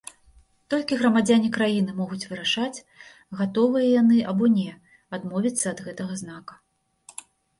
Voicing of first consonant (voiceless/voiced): voiceless